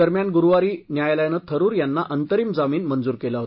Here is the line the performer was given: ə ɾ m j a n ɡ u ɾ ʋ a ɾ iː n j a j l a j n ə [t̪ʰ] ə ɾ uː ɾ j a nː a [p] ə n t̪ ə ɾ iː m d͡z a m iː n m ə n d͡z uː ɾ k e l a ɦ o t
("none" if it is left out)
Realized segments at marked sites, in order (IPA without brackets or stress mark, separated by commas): t̪ʰ, ʔ